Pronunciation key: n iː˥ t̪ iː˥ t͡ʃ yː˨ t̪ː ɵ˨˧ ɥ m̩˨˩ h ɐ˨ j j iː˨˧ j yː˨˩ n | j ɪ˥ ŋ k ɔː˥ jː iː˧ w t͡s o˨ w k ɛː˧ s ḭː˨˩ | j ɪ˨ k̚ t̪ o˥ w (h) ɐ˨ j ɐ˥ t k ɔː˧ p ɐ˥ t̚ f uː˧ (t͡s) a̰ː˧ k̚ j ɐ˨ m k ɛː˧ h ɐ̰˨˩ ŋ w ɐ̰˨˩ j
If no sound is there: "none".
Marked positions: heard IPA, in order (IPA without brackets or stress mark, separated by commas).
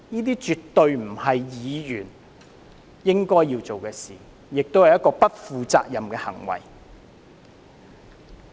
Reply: h, t͡s